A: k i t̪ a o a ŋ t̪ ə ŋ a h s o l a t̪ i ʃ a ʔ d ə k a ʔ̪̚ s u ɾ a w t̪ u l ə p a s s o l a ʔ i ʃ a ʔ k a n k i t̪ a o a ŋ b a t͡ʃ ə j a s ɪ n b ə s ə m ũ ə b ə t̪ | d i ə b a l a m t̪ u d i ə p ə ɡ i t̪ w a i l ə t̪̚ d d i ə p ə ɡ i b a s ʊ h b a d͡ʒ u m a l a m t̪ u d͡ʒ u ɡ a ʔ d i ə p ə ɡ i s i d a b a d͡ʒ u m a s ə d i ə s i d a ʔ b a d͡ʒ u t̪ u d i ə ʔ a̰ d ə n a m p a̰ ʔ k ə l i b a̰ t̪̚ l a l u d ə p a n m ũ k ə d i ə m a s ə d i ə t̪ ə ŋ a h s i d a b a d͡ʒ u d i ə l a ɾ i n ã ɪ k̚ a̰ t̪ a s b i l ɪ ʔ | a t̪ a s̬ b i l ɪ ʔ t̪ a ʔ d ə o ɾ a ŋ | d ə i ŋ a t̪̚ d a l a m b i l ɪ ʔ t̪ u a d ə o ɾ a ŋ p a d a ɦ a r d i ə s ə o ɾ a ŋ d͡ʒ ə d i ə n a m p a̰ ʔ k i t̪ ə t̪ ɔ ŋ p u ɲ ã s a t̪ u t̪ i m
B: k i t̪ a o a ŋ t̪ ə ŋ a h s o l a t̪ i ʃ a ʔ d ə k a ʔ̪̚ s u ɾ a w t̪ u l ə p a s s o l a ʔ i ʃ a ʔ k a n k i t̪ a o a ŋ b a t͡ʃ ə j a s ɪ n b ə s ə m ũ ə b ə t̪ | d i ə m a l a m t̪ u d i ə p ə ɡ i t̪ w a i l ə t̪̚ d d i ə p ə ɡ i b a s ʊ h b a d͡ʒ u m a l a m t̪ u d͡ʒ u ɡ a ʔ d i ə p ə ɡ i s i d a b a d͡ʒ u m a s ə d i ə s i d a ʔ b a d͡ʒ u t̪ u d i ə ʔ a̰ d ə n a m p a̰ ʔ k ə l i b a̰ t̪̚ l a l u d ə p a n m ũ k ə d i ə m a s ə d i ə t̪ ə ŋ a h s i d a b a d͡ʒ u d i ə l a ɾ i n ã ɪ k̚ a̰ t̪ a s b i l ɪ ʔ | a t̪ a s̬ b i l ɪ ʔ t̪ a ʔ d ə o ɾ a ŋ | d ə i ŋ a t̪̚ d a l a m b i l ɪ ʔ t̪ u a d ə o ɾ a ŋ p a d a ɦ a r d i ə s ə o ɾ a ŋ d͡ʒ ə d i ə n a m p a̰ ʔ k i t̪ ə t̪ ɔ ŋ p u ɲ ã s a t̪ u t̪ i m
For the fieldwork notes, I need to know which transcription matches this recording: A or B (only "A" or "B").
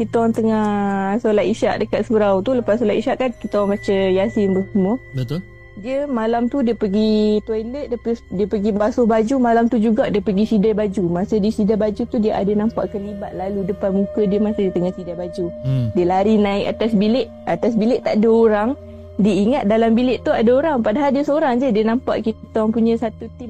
B